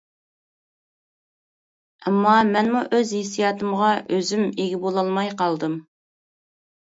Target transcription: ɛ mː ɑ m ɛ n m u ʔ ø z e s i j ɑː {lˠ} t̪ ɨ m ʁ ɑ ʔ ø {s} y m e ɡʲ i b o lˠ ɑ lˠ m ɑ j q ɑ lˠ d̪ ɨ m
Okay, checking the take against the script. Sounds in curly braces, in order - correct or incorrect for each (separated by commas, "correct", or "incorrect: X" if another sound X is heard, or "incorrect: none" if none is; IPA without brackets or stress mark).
incorrect: none, incorrect: z